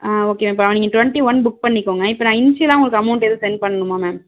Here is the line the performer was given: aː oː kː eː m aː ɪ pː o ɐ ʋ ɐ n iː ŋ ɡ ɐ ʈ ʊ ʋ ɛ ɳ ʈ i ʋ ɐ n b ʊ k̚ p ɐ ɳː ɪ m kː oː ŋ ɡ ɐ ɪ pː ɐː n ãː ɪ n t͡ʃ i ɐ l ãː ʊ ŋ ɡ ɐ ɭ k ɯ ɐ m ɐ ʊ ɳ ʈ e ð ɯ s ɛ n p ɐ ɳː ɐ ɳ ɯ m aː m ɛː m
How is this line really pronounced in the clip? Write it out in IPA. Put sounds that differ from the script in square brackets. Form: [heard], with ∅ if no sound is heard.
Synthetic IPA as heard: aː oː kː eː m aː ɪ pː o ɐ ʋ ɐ n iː ŋ ɡ ɐ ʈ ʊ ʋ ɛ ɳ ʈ i ʋ ɐ n b ʊ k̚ p ɐ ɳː ɪ [∅] kː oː ŋ ɡ ɐ ɪ pː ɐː n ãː ɪ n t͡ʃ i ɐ l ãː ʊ ŋ ɡ ɐ ɭ k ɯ ɐ m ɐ ʊ ɳ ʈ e ð ɯ s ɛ n p ɐ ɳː ɐ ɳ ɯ m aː m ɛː m